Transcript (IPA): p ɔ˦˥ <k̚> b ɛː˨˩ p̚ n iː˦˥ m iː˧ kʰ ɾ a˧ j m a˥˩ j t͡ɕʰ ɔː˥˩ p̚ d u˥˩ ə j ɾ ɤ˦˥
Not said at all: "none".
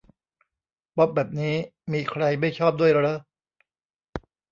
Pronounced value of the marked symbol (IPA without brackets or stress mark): p̚